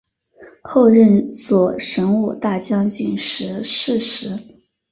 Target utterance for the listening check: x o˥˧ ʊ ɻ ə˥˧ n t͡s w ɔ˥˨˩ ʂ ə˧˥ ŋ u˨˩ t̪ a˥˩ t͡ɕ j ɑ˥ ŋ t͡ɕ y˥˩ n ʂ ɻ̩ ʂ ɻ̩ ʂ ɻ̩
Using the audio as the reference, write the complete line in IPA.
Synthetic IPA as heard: x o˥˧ ʊ ɻ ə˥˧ n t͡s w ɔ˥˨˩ ʂ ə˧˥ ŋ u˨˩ t̪ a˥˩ t͡ɕ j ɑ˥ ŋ t͡ɕ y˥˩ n ʂ ɻ̩ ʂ ɻ̩ ʂ ɻ̩